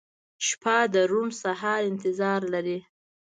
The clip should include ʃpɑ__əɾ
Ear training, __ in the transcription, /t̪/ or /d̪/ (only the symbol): d̪